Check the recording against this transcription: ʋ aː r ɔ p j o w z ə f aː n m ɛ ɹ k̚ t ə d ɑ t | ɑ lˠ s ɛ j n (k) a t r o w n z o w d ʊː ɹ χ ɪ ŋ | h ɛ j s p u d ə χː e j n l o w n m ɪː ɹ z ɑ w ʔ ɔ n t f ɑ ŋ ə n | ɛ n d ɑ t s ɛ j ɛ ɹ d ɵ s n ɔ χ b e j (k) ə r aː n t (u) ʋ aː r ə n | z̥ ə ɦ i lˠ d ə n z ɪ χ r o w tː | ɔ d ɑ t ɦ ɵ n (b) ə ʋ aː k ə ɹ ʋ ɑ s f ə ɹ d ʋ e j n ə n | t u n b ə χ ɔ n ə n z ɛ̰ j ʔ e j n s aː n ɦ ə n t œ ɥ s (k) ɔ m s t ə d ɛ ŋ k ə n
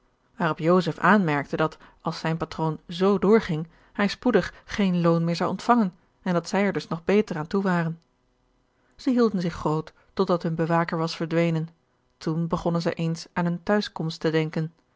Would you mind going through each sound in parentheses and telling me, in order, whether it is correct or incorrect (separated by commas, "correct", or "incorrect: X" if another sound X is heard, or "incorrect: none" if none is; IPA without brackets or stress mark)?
incorrect: p, incorrect: t, correct, correct, correct